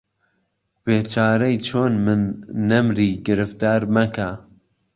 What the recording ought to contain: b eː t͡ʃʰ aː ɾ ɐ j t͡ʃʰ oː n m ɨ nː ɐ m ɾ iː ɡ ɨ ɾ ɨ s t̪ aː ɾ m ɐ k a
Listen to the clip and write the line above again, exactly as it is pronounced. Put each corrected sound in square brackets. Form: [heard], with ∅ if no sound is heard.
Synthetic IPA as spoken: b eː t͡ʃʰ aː ɾ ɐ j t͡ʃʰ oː n m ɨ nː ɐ m ɾ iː ɡ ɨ ɾ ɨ [f] t̪ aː ɾ m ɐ k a